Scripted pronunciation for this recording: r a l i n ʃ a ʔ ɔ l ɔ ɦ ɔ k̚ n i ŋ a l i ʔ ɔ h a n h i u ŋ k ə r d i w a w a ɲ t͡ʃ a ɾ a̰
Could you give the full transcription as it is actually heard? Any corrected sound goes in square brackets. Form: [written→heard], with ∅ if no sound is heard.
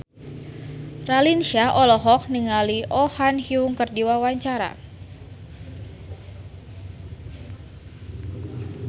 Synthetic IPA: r a l i n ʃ a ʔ ɔ l ɔ ɦ ɔ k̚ n i ŋ a l i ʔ ɔ h a n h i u ŋ k ə r d i w a w a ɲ t͡ʃ a ɾ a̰

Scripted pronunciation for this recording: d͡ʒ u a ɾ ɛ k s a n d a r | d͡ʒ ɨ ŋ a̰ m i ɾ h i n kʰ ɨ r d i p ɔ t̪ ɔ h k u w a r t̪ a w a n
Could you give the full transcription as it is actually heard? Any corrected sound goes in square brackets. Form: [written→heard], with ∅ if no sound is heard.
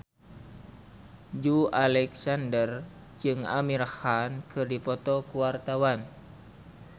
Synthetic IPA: d͡ʒ u a [ɾ→l] ɛ k s a n d [a→ə] r | d͡ʒ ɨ ŋ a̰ m i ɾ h [i→a] n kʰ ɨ r d i p ɔ t̪ ɔ [h→∅] k u w a r t̪ a w a n

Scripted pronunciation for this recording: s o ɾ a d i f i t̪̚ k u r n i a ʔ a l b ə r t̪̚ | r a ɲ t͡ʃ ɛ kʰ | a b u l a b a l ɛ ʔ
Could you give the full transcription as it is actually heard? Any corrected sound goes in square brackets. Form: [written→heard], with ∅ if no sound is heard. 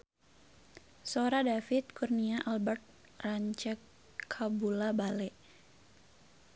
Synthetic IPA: s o ɾ a d [i→a] f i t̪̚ k u r n i a ʔ a l b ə r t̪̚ | r a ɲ t͡ʃ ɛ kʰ | a b u l a b a l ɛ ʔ

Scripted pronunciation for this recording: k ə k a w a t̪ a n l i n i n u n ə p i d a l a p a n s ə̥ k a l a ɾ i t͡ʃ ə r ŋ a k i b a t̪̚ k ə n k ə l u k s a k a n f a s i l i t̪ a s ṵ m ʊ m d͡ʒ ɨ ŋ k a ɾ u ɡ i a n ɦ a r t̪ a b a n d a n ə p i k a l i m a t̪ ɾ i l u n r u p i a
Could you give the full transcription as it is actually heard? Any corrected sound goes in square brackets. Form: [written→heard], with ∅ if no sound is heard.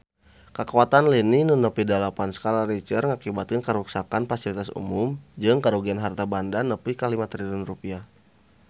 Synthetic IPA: k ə k a w a t̪ a n l i n i n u n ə p i d a l a p a n s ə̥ k a l a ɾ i t͡ʃ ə r ŋ a k i b a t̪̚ k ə n k ə [l→ɾ] u k s a k a n f a s i l i t̪ a s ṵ m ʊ m d͡ʒ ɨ ŋ k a ɾ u ɡ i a n ɦ a r t̪ a b a n d a n ə p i k a l i m a t̪ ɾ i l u n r u p i a

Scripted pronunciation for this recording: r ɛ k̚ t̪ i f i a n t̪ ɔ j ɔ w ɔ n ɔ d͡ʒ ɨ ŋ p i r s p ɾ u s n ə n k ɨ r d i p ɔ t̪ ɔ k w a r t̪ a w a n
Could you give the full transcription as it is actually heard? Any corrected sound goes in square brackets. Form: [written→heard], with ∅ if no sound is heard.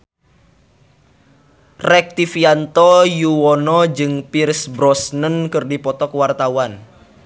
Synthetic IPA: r ɛ k̚ t̪ i f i a n t̪ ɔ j [ɔ→u] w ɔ n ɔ d͡ʒ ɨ ŋ p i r s [p→b] ɾ [u→ɔ] s n ə n k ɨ r d i p ɔ t̪ ɔ k w a r t̪ a w a n

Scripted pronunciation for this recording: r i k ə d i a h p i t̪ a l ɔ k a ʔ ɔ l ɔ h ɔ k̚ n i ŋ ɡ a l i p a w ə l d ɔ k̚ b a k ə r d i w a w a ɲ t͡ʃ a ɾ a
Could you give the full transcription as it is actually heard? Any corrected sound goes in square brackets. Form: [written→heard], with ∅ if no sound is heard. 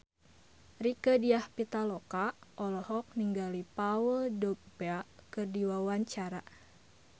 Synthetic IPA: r i k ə d i a h p i t̪ a l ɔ k a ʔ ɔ l ɔ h ɔ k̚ n i ŋ ɡ a l i p a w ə l d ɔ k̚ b a k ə r d i w a w a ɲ t͡ʃ a ɾ a

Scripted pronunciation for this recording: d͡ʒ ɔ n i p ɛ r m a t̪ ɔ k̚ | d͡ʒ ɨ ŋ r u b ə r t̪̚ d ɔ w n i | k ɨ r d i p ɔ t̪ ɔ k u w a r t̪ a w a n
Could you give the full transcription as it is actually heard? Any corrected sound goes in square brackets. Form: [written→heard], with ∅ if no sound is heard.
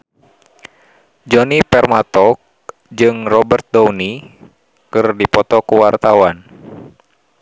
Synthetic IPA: d͡ʒ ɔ n i p ɛ r m a t̪ ɔ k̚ | d͡ʒ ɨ ŋ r [u→ɔ] b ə r t̪̚ d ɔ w n i | k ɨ r d i p ɔ t̪ ɔ k u w a r t̪ a w a n

